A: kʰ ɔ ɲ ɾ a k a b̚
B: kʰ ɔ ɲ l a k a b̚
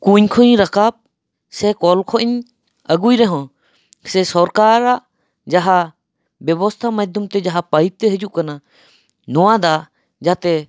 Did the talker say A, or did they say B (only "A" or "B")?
A